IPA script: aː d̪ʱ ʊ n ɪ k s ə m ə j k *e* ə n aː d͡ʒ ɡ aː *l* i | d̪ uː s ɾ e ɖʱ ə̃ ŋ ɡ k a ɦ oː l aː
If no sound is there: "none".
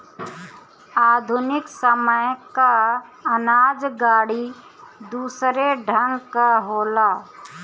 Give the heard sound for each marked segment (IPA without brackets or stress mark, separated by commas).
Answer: a, ɽ